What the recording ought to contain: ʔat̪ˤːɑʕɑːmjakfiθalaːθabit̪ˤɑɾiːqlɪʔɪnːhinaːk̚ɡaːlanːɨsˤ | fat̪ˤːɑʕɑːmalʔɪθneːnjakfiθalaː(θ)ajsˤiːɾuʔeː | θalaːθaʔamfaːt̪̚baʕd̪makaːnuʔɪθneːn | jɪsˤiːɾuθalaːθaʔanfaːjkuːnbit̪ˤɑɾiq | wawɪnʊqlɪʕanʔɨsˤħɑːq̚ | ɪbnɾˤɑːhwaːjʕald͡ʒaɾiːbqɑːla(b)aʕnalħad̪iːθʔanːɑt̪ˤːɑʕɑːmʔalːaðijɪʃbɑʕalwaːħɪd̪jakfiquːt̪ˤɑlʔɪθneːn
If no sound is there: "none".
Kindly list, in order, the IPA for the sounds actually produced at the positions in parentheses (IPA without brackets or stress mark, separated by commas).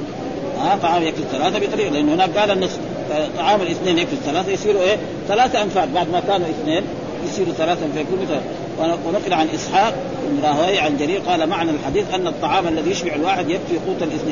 θ, m